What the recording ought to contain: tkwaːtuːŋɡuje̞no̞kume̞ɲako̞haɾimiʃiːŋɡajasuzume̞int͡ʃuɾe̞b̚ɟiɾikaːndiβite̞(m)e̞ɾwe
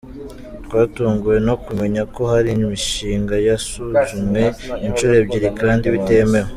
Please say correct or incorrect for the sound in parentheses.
correct